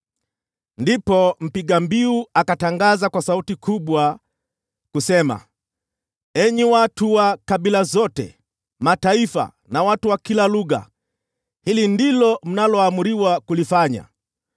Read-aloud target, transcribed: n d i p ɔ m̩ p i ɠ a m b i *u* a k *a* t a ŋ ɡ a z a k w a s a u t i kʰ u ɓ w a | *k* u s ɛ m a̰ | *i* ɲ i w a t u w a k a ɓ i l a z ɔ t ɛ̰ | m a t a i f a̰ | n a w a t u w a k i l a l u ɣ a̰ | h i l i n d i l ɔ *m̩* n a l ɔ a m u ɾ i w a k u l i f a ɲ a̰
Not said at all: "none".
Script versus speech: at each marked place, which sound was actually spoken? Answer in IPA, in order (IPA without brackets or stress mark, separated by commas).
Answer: u, a, k, ɛ, m̩